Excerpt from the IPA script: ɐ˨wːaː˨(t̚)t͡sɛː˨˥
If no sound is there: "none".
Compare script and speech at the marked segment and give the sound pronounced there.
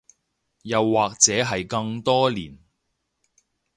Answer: k̚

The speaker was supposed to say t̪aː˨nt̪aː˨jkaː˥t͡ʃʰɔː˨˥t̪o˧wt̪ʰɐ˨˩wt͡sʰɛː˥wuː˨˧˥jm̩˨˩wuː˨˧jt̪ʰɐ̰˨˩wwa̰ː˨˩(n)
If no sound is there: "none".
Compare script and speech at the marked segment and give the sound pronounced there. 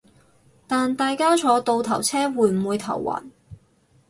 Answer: n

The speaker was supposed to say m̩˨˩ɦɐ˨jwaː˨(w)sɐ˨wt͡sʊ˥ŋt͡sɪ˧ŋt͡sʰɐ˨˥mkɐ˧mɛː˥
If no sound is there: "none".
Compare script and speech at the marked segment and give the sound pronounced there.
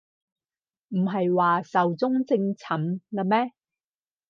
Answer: none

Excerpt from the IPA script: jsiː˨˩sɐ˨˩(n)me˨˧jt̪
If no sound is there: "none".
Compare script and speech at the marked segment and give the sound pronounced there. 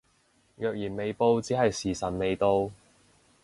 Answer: n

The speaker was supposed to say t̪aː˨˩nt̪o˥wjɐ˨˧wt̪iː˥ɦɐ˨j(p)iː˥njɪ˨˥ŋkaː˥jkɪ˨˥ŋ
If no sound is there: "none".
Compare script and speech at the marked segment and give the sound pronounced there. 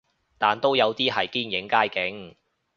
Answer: k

